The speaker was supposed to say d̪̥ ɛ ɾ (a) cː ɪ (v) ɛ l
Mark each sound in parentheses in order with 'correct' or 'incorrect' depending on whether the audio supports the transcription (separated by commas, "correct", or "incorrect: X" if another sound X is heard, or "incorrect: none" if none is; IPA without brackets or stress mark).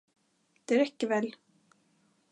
incorrect: ɛ, correct